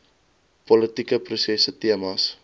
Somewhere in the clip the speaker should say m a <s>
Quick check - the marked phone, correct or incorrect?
correct